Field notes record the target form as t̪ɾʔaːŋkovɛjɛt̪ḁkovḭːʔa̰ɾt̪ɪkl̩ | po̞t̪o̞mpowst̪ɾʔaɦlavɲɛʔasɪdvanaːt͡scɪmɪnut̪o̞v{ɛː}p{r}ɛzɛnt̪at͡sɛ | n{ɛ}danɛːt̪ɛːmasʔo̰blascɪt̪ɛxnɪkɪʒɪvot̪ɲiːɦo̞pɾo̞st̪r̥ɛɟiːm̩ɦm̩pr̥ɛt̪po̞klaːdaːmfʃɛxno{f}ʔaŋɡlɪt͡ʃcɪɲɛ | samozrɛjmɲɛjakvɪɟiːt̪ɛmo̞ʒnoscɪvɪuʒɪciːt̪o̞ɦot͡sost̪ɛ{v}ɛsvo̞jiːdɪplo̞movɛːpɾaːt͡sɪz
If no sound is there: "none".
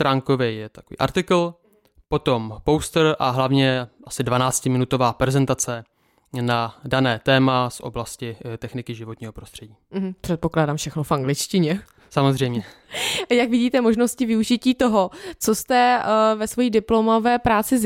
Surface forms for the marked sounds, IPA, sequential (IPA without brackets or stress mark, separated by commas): aː, ɾ, a, f, v